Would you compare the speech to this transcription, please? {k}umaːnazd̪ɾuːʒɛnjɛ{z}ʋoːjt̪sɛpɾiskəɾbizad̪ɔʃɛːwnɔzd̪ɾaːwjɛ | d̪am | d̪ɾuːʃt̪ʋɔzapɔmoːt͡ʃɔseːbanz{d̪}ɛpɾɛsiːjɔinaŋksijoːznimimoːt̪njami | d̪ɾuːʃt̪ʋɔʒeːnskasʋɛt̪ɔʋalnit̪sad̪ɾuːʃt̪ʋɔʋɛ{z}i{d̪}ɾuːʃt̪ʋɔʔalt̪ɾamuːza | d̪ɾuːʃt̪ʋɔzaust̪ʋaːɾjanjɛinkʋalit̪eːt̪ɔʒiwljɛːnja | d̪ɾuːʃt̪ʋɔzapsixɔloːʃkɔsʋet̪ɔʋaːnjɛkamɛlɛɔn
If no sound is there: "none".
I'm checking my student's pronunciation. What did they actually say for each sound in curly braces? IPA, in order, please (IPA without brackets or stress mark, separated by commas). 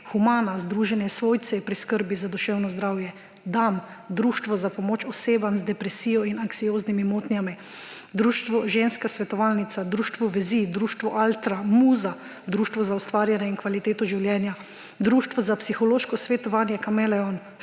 x, s, d̪, z, d̪